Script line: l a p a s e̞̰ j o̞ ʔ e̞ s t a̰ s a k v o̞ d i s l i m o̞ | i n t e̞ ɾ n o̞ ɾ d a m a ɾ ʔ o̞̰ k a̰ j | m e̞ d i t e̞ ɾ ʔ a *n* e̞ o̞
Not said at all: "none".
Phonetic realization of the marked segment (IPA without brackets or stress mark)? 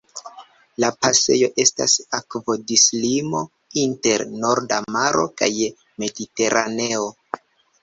n